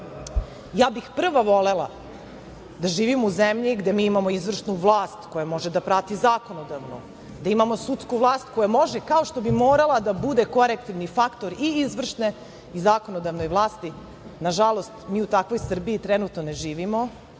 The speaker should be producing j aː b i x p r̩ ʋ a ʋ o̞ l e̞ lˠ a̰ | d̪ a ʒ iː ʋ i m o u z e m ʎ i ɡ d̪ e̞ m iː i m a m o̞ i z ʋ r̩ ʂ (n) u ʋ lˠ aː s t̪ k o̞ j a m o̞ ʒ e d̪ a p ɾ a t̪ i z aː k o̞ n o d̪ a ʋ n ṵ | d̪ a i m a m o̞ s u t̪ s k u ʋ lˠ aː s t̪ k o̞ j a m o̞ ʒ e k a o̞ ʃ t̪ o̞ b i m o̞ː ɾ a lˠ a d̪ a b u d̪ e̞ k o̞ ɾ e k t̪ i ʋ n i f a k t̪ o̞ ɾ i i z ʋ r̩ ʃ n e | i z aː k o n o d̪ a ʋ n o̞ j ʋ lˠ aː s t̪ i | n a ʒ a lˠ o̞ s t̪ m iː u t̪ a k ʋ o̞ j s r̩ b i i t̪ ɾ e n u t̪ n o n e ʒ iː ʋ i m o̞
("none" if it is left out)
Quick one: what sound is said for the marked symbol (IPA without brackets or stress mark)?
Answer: n